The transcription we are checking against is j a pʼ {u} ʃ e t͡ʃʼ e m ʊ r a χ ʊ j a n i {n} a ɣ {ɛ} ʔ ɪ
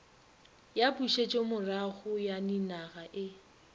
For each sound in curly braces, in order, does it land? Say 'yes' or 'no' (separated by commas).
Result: yes, yes, no